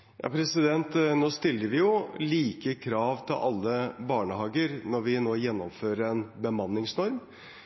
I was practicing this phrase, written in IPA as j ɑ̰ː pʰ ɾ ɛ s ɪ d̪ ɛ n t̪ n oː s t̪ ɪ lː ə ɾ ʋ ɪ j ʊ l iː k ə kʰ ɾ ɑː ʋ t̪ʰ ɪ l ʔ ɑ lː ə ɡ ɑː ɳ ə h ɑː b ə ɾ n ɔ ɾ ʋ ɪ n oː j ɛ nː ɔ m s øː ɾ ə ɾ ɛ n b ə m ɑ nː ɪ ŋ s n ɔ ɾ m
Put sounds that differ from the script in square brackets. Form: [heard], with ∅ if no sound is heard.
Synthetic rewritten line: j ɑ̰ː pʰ ɾ ɛ s ɪ d̪ ɛ n t̪ n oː s t̪ ɪ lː ə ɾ ʋ ɪ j ʊ l iː k ə kʰ ɾ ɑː ʋ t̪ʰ ɪ l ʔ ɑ lː ə [b] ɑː ɳ ə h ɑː [ɡ] ə ɾ n ɔ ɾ ʋ ɪ n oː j ɛ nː ɔ m [f] øː ɾ ə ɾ ɛ n b ə m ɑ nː ɪ ŋ s n ɔ ɾ m